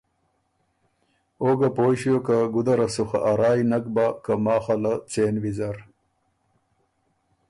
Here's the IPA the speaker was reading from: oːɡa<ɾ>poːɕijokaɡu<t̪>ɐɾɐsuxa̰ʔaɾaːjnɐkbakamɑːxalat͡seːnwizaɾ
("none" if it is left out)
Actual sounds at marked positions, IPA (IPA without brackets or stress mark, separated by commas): none, d̪